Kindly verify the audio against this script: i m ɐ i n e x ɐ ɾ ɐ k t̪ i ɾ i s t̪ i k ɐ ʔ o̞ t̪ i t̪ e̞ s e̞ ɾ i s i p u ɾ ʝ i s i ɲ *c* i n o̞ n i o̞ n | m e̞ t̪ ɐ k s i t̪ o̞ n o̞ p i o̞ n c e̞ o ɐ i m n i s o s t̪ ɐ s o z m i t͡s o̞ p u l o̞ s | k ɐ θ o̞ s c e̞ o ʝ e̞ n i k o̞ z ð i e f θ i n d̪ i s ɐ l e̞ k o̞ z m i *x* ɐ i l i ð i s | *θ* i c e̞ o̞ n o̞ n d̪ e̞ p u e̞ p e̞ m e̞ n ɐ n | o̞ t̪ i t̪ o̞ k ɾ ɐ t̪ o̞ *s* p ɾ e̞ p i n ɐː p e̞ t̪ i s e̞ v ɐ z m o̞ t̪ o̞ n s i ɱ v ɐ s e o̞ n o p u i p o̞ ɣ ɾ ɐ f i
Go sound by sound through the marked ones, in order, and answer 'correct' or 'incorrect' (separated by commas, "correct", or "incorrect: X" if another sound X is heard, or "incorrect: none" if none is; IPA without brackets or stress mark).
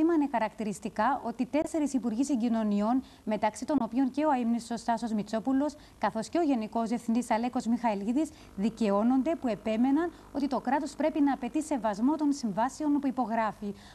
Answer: incorrect: ɟ, correct, incorrect: ð, correct